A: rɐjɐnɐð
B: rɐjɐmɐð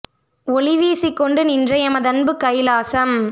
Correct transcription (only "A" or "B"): B